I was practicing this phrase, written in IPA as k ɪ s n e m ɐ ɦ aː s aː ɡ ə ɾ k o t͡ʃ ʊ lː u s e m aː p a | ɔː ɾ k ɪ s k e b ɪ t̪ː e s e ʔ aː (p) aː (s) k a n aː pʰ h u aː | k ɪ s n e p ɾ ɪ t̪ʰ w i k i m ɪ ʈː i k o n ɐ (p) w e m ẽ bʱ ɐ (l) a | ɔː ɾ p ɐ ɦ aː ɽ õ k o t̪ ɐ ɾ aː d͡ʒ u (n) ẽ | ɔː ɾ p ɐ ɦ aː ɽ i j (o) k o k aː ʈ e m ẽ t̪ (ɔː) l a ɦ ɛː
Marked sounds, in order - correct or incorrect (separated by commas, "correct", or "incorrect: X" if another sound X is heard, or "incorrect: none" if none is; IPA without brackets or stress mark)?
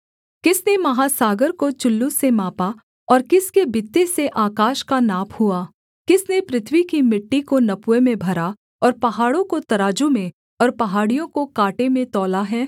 incorrect: k, incorrect: ʃ, correct, incorrect: ɾ, incorrect: m, incorrect: õ, correct